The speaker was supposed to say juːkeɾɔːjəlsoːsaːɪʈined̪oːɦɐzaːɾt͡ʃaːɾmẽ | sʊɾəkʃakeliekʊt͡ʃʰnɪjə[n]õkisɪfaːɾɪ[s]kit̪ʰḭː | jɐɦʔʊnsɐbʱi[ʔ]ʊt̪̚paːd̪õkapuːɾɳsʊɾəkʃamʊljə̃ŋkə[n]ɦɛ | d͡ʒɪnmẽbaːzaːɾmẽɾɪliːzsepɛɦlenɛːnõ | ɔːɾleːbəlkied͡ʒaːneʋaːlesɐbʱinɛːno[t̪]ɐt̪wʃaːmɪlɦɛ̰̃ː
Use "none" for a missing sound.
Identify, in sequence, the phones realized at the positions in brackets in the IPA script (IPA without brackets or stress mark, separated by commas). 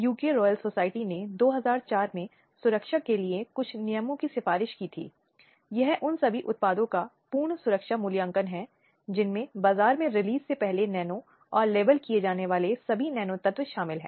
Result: m, ʃ, ʔ, n, t̪